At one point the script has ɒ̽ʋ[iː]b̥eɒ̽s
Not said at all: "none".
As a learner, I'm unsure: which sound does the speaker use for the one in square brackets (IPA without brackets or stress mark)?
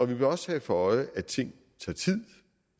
i